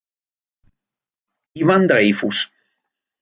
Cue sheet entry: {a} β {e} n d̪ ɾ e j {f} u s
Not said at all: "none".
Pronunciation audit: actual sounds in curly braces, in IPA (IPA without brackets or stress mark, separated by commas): i, a, f